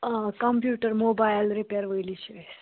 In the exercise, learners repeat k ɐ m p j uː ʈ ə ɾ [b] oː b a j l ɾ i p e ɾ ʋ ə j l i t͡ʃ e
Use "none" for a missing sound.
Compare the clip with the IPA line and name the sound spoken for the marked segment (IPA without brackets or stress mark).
m